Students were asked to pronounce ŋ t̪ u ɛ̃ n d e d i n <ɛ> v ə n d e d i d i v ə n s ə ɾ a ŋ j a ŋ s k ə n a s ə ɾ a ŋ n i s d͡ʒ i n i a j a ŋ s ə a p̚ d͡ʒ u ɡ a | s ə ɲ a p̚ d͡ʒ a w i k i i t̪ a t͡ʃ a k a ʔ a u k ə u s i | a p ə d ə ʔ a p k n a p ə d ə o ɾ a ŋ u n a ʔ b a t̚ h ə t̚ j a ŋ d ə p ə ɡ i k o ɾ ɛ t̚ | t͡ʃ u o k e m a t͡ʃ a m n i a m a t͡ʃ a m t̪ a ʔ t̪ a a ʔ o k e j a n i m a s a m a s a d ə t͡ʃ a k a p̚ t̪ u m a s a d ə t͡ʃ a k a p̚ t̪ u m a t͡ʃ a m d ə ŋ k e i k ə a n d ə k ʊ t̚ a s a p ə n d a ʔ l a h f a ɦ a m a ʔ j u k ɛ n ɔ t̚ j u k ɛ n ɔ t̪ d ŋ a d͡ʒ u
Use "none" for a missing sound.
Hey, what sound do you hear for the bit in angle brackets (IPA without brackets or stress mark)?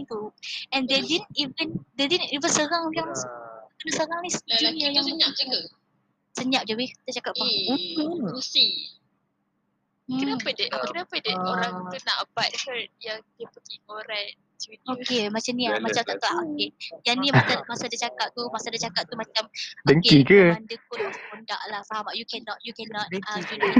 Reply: i